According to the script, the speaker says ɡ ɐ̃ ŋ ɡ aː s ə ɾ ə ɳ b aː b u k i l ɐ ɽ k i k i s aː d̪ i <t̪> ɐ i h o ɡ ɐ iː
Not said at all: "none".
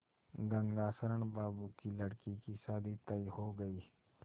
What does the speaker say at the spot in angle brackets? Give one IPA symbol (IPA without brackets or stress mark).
t̪